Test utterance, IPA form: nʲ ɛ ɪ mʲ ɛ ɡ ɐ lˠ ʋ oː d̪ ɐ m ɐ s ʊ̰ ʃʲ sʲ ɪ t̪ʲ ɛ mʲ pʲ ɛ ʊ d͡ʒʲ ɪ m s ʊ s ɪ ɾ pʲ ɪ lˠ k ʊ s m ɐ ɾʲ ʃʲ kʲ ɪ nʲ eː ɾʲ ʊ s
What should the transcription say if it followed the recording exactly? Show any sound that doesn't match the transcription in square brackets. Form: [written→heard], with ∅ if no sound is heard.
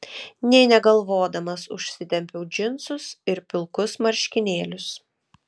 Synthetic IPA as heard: nʲ ɛ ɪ [mʲ→nʲ] ɛ ɡ ɐ lˠ ʋ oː d̪ ɐ m ɐ s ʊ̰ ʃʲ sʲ ɪ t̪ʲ ɛ mʲ pʲ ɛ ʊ d͡ʒʲ ɪ [m→n] s ʊ s ɪ ɾ pʲ ɪ lˠ k ʊ s m ɐ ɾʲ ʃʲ kʲ ɪ nʲ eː [ɾʲ→lʲ] ʊ s